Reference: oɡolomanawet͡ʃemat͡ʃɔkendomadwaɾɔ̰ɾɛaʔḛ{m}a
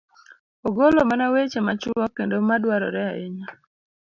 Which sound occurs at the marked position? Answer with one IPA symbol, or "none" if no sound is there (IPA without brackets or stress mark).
ɲ